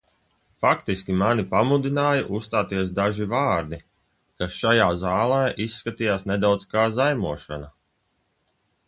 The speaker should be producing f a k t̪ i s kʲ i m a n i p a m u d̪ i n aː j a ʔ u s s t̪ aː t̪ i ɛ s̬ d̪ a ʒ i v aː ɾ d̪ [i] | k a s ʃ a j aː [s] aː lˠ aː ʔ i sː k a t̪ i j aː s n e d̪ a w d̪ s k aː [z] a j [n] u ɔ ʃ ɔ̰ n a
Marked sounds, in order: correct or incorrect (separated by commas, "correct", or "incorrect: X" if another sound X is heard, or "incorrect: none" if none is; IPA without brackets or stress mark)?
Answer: correct, incorrect: z, correct, incorrect: m